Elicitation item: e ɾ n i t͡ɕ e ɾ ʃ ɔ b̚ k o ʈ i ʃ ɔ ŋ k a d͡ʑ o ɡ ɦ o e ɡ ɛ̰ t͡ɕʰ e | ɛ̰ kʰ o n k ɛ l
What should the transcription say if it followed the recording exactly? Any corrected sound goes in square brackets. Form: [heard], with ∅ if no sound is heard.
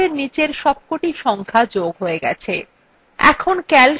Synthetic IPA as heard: e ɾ n i t͡ɕ e ɾ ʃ ɔ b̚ k o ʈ i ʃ ɔ ŋ [kʰ] a d͡ʑ o ɡ ɦ o e ɡ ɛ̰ t͡ɕʰ e | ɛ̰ kʰ o n k ɛ l